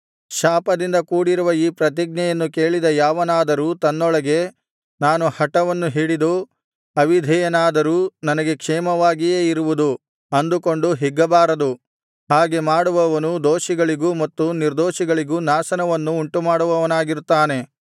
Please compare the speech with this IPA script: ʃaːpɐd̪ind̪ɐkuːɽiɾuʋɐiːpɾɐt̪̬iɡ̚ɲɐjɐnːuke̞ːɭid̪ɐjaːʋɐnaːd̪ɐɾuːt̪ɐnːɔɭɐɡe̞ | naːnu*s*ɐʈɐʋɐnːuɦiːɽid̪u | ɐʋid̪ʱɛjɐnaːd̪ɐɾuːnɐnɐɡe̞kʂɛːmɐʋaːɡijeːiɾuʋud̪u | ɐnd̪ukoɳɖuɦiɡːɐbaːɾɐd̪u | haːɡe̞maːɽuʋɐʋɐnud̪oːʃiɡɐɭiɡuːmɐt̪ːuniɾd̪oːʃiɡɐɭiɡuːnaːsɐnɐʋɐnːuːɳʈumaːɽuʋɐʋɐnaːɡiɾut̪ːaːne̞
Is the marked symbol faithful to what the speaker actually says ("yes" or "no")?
no